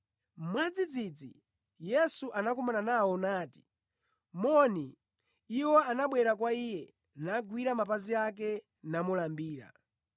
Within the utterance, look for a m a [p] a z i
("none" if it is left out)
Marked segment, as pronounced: p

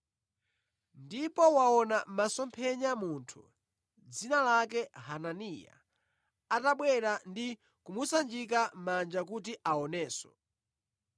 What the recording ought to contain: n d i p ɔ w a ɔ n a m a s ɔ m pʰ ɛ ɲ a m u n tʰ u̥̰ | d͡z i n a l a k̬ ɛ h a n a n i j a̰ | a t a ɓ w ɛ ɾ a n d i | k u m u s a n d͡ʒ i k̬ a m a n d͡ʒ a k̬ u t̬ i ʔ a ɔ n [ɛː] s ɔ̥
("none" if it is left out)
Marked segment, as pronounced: ɛː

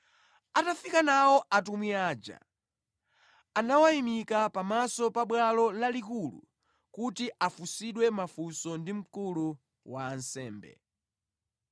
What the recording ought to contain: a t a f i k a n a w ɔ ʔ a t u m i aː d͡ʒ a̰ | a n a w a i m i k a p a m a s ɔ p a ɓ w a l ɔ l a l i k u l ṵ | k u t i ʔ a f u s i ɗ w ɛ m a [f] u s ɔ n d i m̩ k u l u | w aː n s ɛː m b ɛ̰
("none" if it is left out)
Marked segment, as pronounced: f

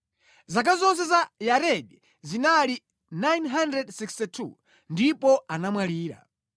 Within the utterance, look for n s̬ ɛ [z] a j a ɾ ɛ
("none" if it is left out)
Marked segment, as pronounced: z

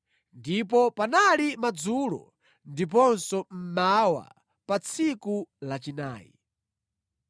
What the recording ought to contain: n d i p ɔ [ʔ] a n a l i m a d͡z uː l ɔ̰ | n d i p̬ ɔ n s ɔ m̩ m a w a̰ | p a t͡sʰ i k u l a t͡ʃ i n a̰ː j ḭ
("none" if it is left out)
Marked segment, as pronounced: p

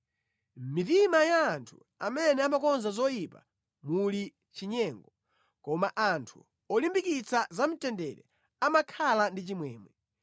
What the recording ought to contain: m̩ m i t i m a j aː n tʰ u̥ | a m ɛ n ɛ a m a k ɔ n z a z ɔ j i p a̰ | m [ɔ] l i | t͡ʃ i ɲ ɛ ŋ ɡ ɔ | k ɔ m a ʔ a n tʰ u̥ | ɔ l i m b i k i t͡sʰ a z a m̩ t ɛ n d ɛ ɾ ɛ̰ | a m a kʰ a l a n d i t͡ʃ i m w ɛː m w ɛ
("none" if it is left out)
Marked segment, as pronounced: u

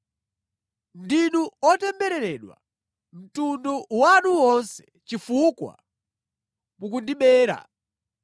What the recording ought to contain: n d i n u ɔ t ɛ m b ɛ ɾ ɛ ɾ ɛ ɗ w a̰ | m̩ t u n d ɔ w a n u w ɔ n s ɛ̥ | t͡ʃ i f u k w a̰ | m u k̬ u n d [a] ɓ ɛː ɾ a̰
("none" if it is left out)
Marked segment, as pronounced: i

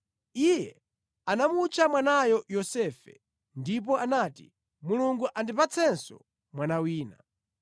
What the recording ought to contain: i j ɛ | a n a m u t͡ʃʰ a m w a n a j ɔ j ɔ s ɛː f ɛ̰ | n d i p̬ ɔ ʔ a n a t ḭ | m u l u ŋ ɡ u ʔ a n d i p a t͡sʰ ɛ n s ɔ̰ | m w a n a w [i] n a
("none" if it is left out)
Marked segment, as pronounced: iː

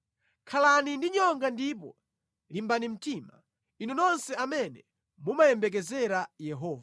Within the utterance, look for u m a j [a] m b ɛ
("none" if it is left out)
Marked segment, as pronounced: ɛ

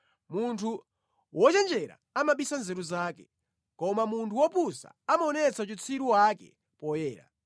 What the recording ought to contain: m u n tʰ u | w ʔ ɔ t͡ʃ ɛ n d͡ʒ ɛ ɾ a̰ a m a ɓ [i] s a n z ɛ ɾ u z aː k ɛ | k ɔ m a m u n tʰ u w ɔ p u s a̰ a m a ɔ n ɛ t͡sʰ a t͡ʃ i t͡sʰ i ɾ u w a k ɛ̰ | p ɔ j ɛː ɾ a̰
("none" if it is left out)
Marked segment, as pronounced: i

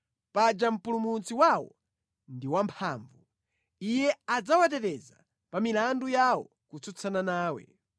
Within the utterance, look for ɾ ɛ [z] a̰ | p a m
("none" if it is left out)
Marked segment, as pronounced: z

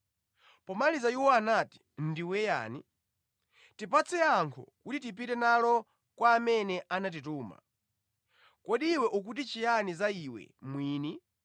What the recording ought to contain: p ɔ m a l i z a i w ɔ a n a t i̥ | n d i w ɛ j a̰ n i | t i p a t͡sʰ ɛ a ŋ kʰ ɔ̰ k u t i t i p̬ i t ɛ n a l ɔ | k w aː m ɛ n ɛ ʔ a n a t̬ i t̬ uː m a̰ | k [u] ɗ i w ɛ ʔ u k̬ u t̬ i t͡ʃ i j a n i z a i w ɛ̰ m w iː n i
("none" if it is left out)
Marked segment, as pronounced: ɔ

